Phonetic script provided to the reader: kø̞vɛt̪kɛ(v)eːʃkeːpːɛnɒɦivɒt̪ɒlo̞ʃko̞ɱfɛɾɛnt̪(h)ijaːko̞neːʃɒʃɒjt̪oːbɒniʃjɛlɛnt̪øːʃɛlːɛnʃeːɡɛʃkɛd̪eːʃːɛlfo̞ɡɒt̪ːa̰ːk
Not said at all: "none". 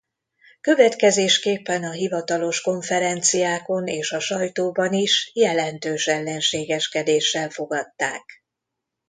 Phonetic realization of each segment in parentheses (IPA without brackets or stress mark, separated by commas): z, s